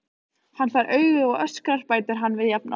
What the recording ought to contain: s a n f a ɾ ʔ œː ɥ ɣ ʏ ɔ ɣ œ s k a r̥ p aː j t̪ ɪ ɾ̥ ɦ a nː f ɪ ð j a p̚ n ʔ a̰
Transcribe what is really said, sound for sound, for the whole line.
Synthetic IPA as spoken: h a n f a ɾ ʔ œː ɥ ɣ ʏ ɔ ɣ œ s k a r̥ p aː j t̪ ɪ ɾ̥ ɦ a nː v ɪ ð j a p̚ n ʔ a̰